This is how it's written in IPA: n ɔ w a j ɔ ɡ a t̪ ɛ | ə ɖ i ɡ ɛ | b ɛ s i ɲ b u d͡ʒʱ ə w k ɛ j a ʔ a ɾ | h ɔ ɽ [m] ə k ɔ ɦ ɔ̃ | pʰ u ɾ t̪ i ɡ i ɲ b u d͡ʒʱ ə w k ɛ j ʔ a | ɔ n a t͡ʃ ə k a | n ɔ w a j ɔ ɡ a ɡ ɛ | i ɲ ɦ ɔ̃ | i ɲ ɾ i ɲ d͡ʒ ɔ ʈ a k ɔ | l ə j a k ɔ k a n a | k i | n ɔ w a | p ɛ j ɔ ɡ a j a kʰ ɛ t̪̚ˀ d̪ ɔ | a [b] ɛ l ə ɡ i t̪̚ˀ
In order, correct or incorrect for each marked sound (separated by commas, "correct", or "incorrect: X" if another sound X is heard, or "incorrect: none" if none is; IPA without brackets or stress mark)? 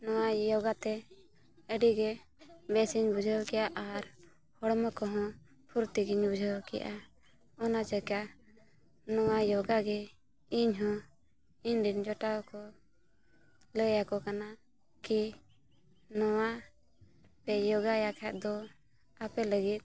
correct, incorrect: p